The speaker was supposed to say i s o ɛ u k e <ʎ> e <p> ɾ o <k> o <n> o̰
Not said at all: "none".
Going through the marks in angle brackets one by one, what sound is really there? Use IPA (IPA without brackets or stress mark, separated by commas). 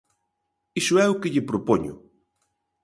ʎ, p, p, ɲ